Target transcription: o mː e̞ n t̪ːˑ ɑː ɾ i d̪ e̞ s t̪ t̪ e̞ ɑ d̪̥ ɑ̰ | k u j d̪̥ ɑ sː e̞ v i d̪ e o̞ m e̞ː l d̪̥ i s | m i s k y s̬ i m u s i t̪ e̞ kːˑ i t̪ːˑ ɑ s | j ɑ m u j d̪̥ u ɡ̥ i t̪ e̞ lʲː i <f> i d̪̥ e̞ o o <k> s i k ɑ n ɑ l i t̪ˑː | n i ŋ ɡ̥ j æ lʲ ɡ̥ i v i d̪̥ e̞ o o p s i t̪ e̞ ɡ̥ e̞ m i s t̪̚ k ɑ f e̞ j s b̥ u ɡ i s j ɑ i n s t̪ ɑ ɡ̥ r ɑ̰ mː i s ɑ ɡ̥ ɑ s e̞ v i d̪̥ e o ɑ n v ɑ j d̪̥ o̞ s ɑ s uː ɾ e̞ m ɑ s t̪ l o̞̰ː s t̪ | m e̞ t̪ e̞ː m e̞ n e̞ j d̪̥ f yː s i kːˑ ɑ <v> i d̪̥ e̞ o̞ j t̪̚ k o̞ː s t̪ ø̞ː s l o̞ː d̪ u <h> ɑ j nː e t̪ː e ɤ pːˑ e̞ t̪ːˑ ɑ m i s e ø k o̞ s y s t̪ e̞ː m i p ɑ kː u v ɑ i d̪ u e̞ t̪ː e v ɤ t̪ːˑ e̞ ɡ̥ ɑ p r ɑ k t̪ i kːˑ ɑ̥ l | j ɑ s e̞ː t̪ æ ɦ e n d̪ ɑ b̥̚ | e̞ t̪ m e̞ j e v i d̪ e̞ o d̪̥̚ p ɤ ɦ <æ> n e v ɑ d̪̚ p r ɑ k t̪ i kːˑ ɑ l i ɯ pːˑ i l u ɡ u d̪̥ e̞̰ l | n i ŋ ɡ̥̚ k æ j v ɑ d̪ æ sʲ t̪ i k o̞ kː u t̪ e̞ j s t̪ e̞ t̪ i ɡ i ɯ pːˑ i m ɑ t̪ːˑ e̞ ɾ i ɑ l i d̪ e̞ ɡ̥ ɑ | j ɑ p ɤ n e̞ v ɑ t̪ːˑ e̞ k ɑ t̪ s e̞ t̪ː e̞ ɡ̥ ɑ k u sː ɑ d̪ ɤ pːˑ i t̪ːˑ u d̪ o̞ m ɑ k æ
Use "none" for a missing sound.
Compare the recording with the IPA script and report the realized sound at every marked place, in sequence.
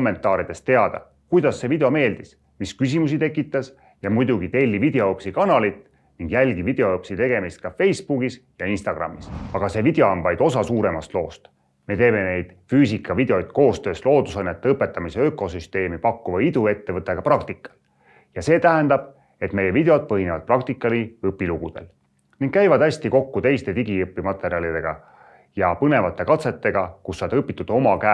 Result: v, p, v, s, i

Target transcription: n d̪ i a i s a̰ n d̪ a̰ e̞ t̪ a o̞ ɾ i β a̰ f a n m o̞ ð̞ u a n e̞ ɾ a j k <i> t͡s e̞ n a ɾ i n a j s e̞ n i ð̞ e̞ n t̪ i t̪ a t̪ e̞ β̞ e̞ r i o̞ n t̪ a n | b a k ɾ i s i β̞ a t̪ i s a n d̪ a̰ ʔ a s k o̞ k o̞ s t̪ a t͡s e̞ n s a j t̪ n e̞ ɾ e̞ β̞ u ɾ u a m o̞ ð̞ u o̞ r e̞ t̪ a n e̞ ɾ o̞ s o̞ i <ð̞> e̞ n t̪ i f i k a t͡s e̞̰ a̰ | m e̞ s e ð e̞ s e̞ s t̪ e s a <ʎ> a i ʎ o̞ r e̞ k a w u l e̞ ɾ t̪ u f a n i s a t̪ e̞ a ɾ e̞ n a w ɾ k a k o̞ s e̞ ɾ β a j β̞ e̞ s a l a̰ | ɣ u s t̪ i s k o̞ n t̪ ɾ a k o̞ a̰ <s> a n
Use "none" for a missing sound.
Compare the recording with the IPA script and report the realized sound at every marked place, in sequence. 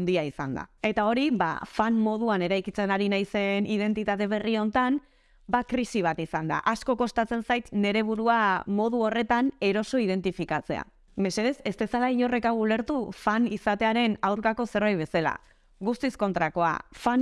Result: i, ð̞, l, f

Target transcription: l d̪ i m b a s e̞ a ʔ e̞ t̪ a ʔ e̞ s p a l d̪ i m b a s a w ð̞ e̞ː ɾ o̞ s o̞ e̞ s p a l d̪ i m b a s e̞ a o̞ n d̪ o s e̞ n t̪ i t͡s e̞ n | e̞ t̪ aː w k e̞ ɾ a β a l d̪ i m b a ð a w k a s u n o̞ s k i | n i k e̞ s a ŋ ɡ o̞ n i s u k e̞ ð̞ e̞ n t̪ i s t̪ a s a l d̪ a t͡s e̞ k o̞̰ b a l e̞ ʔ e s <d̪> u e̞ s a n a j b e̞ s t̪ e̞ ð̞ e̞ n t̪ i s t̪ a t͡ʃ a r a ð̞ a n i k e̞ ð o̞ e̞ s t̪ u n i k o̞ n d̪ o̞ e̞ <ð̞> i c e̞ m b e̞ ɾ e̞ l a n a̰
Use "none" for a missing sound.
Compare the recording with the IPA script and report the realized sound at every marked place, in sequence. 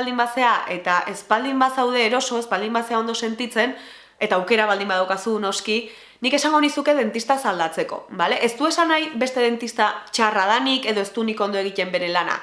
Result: t̪, ɣ̞

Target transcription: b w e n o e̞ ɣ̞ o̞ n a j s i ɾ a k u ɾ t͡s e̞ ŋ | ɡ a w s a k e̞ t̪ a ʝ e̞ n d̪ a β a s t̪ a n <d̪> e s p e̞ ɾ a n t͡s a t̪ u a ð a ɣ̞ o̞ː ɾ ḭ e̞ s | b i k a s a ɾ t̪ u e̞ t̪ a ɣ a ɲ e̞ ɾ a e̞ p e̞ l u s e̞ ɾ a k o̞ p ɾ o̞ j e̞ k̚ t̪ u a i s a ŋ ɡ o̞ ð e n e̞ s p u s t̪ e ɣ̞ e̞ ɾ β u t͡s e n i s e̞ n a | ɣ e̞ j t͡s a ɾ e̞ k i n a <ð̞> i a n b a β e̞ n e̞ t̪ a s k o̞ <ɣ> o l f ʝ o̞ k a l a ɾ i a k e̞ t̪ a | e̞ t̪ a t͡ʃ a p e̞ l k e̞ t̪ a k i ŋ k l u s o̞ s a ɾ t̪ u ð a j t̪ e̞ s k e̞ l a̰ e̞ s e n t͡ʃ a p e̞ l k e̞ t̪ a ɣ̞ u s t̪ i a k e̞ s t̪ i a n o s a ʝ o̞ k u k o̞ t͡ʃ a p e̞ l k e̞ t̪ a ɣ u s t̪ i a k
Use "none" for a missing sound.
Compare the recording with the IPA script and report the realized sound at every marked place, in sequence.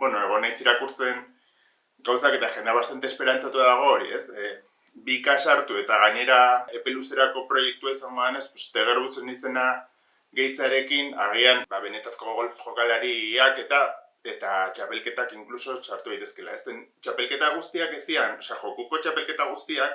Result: t̪, ɣ̞, ɣ

